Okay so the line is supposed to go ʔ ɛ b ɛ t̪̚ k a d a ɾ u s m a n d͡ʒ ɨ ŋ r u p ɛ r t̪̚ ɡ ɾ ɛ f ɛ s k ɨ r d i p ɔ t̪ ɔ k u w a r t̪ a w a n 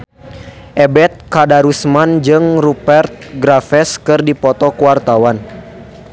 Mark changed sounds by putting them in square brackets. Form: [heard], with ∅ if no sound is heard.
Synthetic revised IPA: ʔ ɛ b ɛ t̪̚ k a d a ɾ u s m a n d͡ʒ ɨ ŋ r u p ɛ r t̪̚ ɡ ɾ [a] f ɛ s k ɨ r d i p ɔ t̪ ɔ k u w a r t̪ a w a n